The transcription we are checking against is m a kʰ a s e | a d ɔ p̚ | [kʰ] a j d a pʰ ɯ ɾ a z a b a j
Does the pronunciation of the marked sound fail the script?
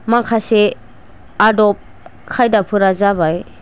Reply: no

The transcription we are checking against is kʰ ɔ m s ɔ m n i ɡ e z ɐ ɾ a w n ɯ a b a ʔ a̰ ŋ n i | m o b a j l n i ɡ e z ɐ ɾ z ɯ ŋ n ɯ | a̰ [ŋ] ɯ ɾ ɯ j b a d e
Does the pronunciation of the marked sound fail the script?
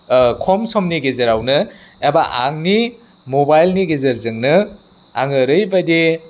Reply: no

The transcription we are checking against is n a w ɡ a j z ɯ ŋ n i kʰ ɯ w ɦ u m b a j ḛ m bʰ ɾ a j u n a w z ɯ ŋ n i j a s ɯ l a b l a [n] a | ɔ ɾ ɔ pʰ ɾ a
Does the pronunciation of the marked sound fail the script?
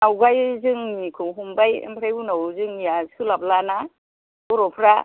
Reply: no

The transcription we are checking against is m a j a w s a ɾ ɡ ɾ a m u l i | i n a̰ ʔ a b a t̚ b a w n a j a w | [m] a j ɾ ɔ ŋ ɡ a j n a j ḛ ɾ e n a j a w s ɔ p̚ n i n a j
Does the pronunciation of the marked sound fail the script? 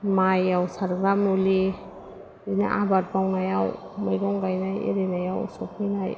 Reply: no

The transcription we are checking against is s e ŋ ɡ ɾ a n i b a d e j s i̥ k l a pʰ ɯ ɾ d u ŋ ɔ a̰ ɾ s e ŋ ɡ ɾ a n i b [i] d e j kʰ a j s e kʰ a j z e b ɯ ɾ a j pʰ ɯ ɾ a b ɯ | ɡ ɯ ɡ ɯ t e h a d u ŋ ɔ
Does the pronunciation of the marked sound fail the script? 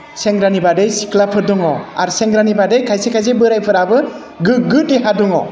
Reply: yes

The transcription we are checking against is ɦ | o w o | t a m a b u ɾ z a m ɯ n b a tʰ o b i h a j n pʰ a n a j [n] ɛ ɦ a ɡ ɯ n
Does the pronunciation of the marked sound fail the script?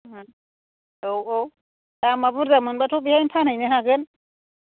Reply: no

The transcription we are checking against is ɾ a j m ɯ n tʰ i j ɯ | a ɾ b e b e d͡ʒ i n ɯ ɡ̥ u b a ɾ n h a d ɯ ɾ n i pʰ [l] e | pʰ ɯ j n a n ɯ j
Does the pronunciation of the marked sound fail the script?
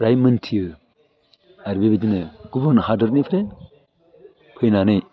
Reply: yes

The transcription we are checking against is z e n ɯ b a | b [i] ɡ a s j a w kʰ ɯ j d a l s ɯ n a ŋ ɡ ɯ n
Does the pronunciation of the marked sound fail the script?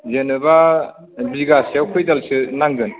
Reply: no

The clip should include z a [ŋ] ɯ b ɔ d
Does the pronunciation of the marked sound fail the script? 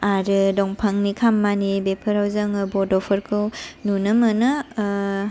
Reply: no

